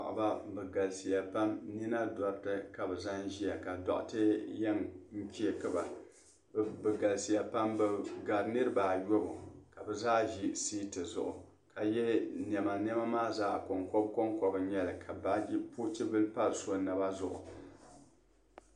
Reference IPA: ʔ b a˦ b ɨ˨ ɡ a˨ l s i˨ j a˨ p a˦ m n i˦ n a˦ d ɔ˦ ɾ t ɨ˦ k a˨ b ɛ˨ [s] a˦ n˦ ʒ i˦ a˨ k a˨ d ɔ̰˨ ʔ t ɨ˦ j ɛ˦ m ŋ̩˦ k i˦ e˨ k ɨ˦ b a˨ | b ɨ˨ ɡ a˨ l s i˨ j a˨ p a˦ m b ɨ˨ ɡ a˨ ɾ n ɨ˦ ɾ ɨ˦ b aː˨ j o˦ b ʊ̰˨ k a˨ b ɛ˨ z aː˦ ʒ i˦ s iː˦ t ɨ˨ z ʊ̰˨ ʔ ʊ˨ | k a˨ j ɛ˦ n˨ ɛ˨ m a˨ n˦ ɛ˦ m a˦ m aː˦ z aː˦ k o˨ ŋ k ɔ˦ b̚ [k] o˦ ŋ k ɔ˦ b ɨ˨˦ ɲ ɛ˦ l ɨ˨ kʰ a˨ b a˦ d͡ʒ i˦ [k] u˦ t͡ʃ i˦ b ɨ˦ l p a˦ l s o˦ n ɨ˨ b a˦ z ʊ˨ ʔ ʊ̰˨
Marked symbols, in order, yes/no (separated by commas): no, yes, no